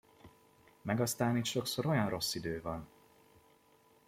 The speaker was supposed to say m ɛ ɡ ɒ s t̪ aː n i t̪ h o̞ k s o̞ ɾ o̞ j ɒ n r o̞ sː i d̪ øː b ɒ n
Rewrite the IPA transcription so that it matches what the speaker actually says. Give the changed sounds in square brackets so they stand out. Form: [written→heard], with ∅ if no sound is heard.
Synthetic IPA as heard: m ɛ ɡ ɒ s t̪ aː n i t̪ [h→ʃ] o̞ k s o̞ ɾ o̞ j ɒ n r o̞ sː i d̪ øː [b→v] ɒ n

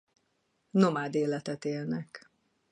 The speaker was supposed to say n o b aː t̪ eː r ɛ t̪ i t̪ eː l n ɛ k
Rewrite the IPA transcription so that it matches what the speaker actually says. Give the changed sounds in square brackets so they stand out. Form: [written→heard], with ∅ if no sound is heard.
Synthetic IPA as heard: n o [b→m] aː [t̪→d̪] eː [r→l] ɛ t̪ [i→ɛ] t̪ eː l n ɛ k

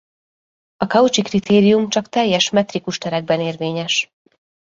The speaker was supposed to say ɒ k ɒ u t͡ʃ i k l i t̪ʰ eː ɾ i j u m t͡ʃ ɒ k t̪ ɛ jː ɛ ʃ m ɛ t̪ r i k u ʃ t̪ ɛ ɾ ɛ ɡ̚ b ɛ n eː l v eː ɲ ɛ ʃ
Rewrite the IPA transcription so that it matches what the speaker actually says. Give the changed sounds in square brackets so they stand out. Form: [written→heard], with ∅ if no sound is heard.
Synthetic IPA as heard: ɒ k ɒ u t͡ʃ i k [l→r] i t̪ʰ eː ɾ i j u m t͡ʃ ɒ k t̪ ɛ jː ɛ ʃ m ɛ t̪ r i k u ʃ t̪ ɛ ɾ ɛ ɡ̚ b ɛ n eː [l→r] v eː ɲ ɛ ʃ

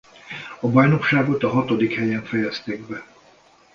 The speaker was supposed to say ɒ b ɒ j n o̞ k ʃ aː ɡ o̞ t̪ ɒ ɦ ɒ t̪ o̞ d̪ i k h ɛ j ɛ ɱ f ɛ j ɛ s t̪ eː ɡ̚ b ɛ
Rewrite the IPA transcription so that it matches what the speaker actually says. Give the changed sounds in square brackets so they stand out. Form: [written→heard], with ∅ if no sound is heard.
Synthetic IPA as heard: ɒ b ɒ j n o̞ k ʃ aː ɡ o̞ t̪ ɒ ɦ ɒ t̪ o̞ d̪ i k h ɛ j ɛ ɱ f ɛ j ɛ s t̪ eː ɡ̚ b ɛ

